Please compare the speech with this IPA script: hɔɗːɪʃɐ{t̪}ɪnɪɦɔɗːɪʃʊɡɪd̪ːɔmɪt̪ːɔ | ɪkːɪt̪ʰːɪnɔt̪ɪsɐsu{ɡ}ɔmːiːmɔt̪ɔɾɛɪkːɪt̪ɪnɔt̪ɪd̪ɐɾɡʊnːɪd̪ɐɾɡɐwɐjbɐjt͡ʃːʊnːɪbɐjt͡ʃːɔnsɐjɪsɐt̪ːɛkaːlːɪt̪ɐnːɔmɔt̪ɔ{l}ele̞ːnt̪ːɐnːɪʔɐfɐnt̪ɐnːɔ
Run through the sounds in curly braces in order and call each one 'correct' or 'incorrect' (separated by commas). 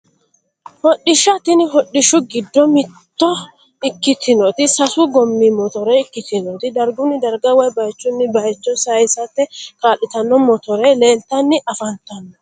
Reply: correct, correct, incorrect